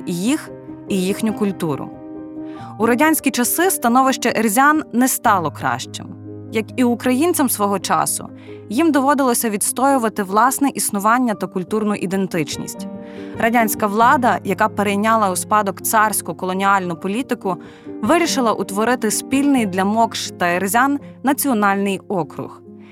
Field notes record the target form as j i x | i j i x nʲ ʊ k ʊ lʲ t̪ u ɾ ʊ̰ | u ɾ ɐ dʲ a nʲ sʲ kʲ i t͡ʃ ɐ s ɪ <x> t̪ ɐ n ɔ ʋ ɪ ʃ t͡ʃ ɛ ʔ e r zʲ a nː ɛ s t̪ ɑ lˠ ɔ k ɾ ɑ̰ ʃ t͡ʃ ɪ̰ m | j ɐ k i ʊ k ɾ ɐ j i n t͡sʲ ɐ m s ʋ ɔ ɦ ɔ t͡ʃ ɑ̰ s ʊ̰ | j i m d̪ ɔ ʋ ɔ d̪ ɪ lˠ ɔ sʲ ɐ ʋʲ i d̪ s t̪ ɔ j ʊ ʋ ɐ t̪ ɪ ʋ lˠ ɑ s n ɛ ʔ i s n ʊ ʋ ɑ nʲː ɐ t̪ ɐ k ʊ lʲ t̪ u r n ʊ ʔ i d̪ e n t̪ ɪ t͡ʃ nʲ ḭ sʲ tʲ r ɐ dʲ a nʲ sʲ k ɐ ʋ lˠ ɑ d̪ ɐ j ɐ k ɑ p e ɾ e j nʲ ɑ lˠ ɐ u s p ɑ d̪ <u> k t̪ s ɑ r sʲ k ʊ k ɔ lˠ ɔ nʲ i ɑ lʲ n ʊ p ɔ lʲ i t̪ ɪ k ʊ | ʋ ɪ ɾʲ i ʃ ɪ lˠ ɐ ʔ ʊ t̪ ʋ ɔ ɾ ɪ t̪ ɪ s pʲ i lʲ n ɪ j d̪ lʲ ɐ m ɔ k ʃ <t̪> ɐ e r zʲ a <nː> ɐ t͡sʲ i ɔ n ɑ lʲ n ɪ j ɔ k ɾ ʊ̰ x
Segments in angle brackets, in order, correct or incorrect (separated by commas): incorrect, incorrect, correct, correct